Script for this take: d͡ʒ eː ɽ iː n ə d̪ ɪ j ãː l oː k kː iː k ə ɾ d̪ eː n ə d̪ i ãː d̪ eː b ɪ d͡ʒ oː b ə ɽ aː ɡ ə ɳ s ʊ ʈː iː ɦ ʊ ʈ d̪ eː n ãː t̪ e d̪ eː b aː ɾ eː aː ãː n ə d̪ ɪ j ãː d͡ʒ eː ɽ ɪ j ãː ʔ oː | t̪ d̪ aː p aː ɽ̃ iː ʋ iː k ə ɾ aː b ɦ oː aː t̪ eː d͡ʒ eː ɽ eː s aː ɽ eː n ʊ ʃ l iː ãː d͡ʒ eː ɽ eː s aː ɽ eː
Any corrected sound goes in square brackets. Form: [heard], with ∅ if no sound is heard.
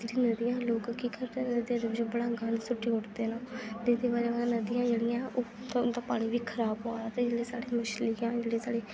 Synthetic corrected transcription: d͡ʒ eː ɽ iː n ə d̪ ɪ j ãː l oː k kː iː k ə ɾ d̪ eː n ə d̪ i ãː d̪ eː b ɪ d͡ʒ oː b ə ɽ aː ɡ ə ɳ s ʊ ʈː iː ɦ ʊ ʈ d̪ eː n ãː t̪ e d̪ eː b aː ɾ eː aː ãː n ə d̪ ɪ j ãː d͡ʒ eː ɽ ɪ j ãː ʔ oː | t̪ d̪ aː p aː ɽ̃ iː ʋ iː [kʰ] ə ɾ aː b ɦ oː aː t̪ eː d͡ʒ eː ɽ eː s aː ɽ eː [m] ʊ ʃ l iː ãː d͡ʒ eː ɽ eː s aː ɽ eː

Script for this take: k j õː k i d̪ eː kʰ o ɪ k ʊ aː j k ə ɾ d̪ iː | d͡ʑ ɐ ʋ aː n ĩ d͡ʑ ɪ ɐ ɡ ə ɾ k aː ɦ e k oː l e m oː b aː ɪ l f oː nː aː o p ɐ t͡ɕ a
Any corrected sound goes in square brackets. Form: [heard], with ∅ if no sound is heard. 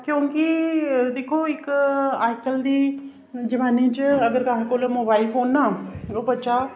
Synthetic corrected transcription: k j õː k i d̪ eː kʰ o ɪ k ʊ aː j k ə [l] d̪ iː | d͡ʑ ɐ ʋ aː n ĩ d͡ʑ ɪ ɐ ɡ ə ɾ k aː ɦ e k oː l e m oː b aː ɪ l f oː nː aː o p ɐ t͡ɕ a

